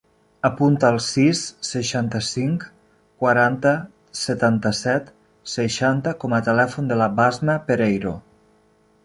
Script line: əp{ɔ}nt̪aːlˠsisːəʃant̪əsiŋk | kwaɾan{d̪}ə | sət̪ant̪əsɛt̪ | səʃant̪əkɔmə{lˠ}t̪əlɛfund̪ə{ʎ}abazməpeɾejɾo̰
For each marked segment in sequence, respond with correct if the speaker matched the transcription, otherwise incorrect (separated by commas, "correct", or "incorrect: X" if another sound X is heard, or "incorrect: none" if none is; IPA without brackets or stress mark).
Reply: incorrect: u, incorrect: t̪, incorrect: none, incorrect: l